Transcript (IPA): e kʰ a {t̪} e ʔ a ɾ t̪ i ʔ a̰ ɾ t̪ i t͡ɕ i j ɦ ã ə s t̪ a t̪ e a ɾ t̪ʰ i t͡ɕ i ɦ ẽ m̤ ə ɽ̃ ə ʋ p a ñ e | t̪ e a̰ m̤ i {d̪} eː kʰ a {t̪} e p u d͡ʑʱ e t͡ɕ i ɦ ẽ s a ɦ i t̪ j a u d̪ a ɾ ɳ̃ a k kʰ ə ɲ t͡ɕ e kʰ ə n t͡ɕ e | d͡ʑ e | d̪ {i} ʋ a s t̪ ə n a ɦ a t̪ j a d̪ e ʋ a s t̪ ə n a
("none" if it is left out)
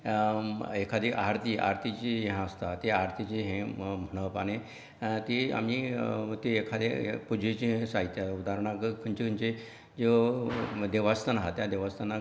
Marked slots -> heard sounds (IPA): d̪, t̪, d̪, e

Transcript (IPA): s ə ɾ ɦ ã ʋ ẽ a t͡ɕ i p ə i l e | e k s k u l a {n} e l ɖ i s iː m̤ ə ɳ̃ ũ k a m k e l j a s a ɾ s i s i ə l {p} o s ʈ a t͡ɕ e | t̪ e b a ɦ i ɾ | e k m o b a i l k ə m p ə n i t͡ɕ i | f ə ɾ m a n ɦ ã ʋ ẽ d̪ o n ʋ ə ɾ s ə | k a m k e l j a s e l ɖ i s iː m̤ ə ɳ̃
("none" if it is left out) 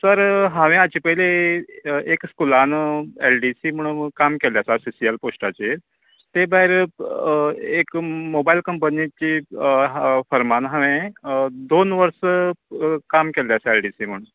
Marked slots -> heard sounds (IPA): n, p

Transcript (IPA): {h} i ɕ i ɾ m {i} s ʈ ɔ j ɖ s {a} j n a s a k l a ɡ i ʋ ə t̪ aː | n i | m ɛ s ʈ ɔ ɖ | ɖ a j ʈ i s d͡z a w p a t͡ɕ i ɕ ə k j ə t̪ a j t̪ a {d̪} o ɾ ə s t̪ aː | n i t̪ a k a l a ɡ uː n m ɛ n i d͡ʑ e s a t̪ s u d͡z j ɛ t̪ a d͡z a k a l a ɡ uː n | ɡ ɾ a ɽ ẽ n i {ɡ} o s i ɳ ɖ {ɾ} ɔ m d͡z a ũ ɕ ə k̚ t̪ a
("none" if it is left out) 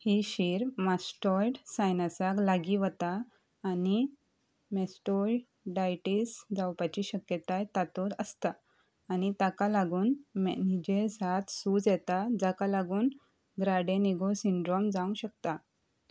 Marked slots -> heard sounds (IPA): h, a, a, t̪, ɡ, ɾ

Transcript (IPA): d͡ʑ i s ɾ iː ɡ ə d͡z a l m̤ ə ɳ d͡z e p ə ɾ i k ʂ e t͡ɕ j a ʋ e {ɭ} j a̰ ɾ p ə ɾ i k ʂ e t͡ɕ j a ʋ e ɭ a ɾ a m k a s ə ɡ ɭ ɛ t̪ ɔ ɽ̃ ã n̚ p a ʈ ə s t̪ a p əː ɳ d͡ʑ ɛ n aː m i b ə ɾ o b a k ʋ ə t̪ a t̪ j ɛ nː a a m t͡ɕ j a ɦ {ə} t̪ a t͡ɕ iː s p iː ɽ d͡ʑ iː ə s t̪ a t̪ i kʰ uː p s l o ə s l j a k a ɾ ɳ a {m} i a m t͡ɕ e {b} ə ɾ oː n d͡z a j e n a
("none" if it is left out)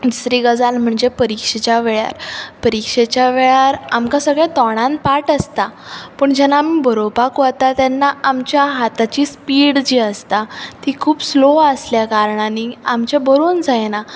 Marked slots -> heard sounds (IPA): ɭ, a, n, b

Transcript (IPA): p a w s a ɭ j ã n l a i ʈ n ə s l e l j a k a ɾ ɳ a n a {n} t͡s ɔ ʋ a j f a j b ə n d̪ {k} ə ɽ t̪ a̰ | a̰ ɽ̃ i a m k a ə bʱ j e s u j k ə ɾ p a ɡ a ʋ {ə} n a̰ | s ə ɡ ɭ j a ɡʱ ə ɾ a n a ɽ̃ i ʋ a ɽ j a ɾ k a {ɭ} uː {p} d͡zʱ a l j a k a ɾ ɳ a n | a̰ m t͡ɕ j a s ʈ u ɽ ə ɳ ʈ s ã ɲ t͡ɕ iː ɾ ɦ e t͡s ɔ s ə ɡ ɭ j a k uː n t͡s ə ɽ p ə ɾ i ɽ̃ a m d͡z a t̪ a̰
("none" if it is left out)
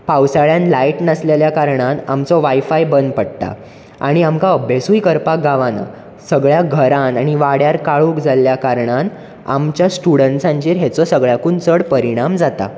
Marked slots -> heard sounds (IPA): m, p, a, ɭ, k

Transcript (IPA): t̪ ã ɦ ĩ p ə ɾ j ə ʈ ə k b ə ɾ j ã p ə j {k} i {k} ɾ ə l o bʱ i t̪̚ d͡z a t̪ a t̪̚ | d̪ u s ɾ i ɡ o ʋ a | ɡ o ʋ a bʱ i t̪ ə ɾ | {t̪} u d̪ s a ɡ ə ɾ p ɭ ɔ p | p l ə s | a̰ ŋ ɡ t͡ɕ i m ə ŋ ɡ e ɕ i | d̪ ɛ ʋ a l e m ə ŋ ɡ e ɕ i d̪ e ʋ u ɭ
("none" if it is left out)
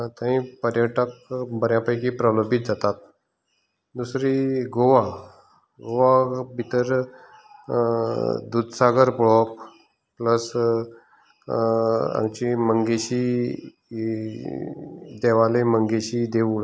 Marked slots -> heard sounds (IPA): k, p, d̪

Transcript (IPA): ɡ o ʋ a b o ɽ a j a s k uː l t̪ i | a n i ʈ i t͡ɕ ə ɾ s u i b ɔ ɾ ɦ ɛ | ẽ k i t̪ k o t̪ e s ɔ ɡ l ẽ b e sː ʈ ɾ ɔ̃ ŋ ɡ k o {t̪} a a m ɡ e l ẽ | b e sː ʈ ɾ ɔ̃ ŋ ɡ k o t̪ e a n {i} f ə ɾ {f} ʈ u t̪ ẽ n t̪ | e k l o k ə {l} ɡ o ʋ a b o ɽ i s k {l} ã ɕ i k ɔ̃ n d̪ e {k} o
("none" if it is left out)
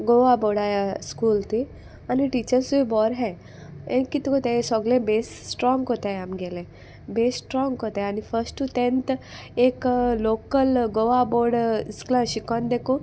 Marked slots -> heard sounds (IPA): t̪, i, s, l, l, k

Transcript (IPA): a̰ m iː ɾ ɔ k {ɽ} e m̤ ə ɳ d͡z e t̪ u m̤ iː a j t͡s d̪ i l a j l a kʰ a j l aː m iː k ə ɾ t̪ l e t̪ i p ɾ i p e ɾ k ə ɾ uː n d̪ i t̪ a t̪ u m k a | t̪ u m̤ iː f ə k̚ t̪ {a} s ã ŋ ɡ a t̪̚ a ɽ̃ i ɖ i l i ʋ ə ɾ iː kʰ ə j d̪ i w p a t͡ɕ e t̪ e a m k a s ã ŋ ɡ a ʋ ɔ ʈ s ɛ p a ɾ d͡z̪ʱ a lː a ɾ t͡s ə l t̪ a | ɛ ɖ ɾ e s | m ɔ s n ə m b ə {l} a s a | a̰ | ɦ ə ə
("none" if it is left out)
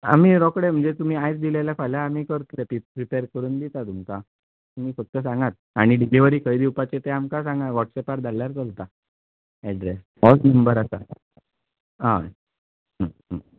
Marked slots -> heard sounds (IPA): ɽ, ə, ɾ

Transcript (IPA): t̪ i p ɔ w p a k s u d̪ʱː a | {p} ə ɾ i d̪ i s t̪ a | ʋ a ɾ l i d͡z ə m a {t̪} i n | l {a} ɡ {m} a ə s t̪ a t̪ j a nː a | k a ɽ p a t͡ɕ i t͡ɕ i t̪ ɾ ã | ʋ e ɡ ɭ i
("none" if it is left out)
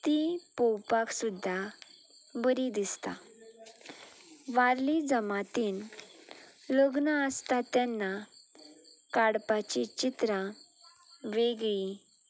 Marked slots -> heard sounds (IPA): b, t̪, ə, n

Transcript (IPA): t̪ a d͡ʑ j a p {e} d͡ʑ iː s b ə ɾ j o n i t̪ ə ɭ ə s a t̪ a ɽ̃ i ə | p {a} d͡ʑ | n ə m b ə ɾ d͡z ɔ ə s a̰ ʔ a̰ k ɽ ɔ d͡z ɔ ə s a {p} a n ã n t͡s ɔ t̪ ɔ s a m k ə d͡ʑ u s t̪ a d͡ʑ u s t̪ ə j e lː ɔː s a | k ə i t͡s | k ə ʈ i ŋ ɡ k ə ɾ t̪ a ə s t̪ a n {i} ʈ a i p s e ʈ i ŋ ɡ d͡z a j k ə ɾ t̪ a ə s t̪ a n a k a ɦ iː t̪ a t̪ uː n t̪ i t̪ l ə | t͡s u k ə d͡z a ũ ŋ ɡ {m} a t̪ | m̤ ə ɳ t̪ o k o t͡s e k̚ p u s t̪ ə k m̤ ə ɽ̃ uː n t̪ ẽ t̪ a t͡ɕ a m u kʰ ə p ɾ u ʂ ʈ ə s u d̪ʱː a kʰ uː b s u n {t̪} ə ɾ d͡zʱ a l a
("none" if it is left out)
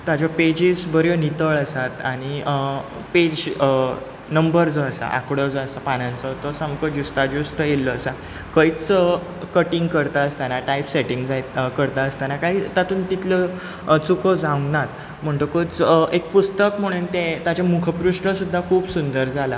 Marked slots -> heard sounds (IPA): e, e, p, a, n, d̪

